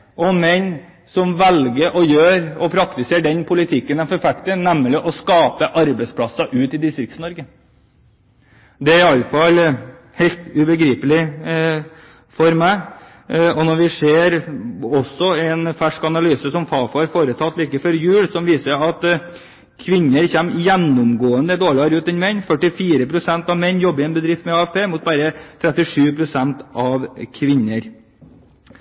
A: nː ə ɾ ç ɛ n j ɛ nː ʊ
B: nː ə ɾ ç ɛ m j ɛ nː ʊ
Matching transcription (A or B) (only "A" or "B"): B